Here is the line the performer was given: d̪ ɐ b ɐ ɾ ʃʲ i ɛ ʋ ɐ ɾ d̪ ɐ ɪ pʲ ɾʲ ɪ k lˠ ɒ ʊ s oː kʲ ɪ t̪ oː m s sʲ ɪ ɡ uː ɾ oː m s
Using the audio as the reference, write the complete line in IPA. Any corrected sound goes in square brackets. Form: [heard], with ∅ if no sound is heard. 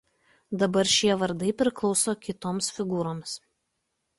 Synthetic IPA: d̪ ɐ b ɐ ɾ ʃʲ i ɛ ʋ ɐ ɾ d̪ ɐ ɪ pʲ ɾʲ ɪ k lˠ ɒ ʊ s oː kʲ ɪ t̪ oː m s [fʲ] ɪ ɡ uː ɾ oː m s